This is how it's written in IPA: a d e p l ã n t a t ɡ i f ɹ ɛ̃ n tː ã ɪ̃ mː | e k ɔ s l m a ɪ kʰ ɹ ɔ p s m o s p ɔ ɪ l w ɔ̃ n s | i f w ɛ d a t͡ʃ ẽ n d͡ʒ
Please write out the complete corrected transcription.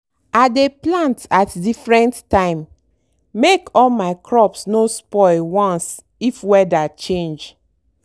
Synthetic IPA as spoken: a d e p l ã n t a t d i f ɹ ɛ̃ n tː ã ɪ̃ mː | e k ɔ l m a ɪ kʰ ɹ ɔ p s n o s p ɔ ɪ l w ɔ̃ n s | i f w ɛ d a t͡ʃ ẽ n d͡ʒ